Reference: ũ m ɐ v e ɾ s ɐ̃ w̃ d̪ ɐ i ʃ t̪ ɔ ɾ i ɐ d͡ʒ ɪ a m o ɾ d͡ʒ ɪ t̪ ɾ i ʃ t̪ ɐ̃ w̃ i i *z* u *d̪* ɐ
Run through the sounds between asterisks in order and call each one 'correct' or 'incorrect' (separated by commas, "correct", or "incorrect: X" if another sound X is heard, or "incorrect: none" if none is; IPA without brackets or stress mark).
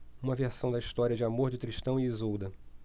correct, correct